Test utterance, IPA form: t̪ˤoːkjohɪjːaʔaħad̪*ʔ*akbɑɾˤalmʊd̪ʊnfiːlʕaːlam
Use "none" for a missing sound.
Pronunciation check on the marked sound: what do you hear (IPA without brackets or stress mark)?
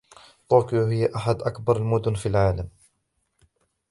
ʔ